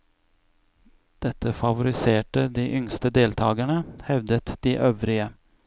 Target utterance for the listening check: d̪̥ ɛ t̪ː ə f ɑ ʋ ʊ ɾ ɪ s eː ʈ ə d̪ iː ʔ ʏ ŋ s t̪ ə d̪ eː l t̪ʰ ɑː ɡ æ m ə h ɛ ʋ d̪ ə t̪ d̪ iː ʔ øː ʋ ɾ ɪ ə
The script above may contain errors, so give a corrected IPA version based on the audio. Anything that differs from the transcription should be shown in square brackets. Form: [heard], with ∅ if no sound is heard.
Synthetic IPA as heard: d̪̥ ɛ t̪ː ə f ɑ ʋ ʊ ɾ ɪ s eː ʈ ə d̪ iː ʔ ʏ ŋ s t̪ ə d̪ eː l t̪ʰ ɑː ɡ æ [ɳ] ə h ɛ ʋ d̪ ə t̪ d̪ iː ʔ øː ʋ ɾ ɪ ə